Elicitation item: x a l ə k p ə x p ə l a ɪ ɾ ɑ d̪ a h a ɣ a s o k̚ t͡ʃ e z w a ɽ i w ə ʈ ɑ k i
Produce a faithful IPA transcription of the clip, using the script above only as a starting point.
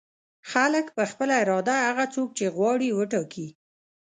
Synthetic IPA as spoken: x a l ə k p ə x p ə l a ɪ ɾ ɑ d̪ a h a ɣ a t͡s o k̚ t͡ʃ e ɣ w ɑ ɽ i w ə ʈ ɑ k i